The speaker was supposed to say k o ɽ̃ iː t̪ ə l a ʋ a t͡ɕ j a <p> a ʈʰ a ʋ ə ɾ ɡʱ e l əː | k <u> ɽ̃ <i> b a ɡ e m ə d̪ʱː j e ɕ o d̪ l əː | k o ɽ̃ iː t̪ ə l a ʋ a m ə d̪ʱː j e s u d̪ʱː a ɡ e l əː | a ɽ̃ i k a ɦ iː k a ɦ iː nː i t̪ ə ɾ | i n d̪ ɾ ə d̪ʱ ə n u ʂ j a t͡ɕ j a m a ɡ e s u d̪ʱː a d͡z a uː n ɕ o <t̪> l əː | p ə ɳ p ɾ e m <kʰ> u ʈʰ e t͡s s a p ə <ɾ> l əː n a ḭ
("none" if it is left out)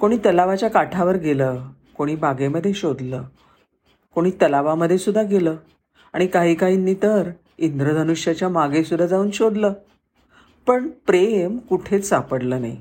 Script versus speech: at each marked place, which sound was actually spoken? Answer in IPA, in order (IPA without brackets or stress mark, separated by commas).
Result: k, o, iː, d̪, k, ɽ